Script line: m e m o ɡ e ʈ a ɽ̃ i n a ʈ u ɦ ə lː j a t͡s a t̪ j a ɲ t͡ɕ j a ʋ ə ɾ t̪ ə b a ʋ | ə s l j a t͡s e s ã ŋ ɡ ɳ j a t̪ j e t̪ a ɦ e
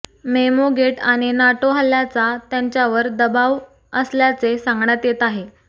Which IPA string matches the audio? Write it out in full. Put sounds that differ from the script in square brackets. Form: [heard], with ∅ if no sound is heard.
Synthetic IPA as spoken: m e m o ɡ e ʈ a ɽ̃ i n a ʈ [o] ɦ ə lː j a t͡s a t̪ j a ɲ t͡ɕ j a ʋ ə ɾ [d̪] ə b a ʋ | ə s l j a t͡s e s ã ŋ ɡ ɳ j a t̪ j e t̪ a ɦ e

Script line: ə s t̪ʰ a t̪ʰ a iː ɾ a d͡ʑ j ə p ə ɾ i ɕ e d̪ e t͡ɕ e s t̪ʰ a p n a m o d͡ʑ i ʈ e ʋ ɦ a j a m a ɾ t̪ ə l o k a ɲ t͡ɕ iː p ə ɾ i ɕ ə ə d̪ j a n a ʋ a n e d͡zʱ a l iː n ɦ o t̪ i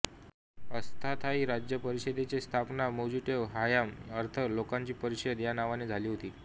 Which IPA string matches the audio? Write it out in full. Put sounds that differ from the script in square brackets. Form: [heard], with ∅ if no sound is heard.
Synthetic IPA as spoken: ə s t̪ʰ a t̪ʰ a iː ɾ a d͡ʑ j ə p ə ɾ i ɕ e d̪ e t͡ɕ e s t̪ʰ a p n a m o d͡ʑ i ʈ e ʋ ɦ a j a m [ə] ɾ [t̪ʰ] ə l o k a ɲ t͡ɕ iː p ə ɾ i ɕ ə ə d̪ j a n a ʋ a n e d͡zʱ a l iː [∅] ɦ o t̪ [iː]

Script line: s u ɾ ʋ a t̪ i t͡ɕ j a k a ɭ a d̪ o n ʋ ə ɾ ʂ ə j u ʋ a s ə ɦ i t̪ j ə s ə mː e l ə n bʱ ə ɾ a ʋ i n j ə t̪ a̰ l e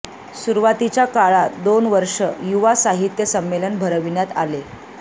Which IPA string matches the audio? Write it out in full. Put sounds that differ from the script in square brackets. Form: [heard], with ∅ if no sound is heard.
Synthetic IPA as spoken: s u ɾ ʋ a t̪ i t͡ɕ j a k a ɭ a d̪ o n ʋ ə ɾ ʂ ə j u ʋ a s [a] ɦ i t̪ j ə s ə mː e l ə n bʱ ə ɾ [ə] ʋ i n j [a] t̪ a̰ l e

